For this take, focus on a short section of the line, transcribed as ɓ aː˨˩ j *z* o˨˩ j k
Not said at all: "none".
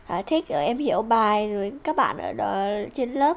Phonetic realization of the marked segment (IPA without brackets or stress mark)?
z